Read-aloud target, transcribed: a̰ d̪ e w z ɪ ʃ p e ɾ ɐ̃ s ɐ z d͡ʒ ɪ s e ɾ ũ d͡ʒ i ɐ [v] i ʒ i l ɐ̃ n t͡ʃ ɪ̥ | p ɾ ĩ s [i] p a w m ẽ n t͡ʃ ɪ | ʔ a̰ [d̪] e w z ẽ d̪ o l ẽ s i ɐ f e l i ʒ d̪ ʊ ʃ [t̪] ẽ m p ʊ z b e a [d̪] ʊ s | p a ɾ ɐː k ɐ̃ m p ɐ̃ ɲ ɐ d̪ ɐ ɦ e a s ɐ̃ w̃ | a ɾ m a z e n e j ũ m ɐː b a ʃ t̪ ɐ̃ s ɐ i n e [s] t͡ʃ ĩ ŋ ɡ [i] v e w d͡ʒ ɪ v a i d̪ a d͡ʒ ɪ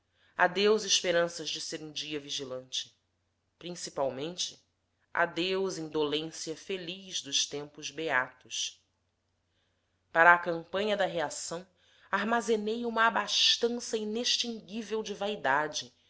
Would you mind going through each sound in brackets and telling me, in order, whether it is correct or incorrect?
correct, correct, correct, correct, incorrect, incorrect, correct

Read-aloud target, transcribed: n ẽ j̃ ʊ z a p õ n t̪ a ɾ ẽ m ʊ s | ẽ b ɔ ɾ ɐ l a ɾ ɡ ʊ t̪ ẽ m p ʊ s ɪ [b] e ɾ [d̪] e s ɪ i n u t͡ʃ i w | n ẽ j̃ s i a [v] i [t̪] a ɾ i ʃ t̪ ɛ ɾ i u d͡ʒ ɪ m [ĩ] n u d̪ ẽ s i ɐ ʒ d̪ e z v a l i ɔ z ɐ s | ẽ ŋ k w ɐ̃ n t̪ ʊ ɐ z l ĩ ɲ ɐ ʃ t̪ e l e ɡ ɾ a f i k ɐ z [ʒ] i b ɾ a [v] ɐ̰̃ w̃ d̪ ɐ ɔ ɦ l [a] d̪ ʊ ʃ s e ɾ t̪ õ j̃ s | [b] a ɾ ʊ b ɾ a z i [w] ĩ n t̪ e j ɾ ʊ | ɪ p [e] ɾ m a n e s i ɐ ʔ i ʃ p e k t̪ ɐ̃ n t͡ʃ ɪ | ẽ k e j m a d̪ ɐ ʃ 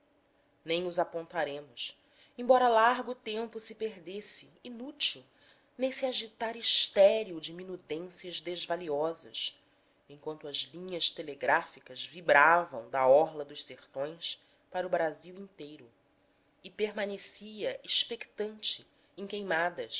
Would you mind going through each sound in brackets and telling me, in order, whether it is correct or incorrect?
incorrect, correct, incorrect, correct, incorrect, incorrect, correct, incorrect, incorrect, correct, correct

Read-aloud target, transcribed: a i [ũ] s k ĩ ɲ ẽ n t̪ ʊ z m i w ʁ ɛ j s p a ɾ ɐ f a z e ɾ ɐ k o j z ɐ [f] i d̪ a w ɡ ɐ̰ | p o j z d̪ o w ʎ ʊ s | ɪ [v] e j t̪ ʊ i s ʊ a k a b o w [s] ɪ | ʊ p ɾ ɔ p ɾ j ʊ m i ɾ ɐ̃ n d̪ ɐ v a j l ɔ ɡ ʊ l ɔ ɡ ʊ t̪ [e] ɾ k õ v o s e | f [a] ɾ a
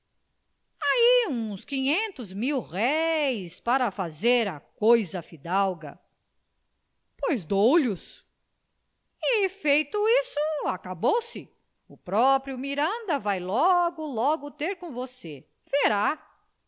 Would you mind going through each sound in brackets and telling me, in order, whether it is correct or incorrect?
correct, correct, incorrect, correct, correct, incorrect

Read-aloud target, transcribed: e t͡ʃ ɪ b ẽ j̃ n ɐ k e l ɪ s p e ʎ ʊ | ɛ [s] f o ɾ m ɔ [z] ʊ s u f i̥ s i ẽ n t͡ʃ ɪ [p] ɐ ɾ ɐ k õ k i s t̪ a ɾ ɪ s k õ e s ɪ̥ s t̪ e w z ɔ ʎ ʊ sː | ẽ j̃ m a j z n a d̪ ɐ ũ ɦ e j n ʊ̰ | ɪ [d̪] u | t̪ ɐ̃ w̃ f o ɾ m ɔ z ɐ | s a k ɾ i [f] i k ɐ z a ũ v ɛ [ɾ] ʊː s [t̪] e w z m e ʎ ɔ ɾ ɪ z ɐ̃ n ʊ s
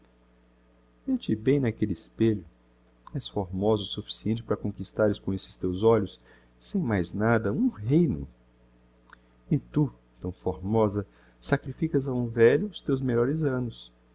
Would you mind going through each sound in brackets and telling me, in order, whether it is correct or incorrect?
correct, correct, correct, incorrect, correct, incorrect, correct

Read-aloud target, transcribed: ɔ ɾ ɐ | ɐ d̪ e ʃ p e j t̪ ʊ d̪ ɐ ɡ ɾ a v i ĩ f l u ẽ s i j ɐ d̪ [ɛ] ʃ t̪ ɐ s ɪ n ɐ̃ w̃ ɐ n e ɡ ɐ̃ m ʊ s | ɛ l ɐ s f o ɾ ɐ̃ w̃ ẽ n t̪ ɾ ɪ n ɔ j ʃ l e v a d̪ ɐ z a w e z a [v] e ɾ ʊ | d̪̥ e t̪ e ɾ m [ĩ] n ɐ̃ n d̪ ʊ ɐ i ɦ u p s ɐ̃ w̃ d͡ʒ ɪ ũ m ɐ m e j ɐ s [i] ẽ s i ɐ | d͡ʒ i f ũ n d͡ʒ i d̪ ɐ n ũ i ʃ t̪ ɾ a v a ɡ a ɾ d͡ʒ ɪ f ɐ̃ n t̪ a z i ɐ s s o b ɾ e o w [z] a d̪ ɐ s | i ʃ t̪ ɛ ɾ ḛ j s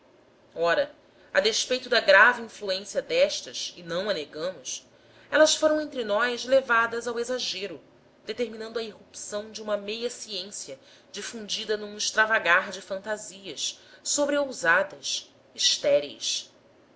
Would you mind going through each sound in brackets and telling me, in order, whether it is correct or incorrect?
correct, incorrect, incorrect, correct, correct

